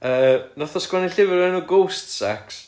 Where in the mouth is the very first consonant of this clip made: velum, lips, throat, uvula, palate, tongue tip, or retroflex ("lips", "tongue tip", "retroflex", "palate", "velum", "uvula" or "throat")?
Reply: tongue tip